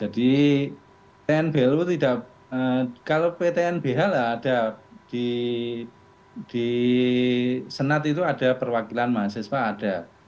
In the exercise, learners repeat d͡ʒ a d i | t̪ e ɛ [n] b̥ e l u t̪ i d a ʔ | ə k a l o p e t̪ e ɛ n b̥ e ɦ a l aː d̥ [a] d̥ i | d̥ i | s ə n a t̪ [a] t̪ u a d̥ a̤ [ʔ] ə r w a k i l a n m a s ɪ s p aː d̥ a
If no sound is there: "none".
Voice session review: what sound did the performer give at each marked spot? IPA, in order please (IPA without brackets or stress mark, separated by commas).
n, a, i, p